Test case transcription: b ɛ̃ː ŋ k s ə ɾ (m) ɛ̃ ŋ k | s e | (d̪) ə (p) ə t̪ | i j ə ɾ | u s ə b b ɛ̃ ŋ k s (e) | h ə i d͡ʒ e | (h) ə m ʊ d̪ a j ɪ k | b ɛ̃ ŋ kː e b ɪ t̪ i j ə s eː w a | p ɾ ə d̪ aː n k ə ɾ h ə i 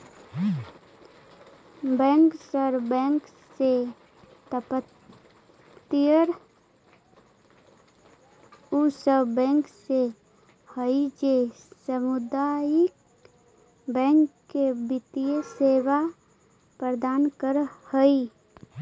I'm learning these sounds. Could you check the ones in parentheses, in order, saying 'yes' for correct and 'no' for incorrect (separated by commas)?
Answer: no, no, yes, yes, no